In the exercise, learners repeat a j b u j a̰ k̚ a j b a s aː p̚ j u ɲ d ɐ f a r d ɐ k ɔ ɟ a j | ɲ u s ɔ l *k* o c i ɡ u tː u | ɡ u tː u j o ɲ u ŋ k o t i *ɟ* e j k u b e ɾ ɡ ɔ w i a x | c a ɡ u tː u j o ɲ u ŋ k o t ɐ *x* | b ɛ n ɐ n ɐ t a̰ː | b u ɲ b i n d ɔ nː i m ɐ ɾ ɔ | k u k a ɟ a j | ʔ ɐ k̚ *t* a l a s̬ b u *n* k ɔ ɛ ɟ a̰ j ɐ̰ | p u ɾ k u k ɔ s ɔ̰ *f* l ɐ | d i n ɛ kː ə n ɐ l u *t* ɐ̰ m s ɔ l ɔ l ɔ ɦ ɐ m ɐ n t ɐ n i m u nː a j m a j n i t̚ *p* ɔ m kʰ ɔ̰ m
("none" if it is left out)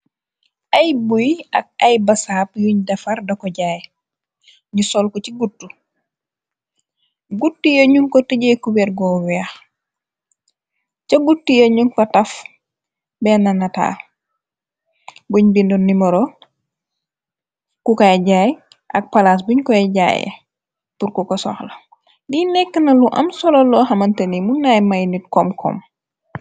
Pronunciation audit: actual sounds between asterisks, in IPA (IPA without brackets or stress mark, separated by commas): k, ɟ, f, p, ɲ, x, ʔ, k